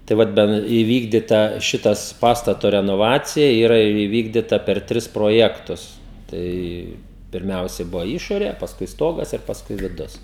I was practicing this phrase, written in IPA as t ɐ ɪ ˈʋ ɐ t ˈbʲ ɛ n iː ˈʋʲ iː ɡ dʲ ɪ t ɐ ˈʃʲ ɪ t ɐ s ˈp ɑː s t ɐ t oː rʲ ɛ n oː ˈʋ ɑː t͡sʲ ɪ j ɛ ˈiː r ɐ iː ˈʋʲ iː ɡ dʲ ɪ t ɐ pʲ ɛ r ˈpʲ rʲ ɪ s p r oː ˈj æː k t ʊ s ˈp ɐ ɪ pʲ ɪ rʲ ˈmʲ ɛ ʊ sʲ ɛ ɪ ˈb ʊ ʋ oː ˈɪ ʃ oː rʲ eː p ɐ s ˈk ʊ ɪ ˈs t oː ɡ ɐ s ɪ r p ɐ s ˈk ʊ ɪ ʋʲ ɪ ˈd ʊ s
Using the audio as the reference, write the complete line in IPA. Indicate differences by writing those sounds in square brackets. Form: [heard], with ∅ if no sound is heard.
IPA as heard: t ɐ ɪ ˈʋ ɐ t ˈbʲ ɛ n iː ˈʋʲ iː ɡ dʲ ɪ t ɐ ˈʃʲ ɪ t ɐ s ˈp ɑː s t ɐ t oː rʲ ɛ n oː ˈʋ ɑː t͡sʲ ɪ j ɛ ˈiː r ɐ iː ˈʋʲ iː ɡ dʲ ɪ t ɐ pʲ ɛ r [ˈtʲ] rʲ ɪ s p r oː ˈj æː k t ʊ s [ˈt] ɐ ɪ pʲ ɪ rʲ ˈmʲ ɛ ʊ sʲ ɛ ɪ ˈb ʊ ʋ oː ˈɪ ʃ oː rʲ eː p ɐ s ˈk ʊ ɪ ˈs t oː ɡ ɐ s ɪ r p ɐ s ˈk ʊ ɪ ʋʲ ɪ ˈd ʊ s